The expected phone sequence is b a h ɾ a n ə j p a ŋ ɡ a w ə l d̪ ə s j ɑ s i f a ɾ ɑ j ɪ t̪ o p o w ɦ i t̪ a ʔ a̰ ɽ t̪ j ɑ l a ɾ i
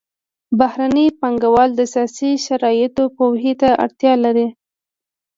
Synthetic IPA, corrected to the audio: b a h ɾ a n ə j p a ŋ ɡ a w ɑ l d̪ ə s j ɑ s i ʃ a ɾ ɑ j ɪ t̪ o p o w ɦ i t̪ a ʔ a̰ ɽ t̪ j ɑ l a ɾ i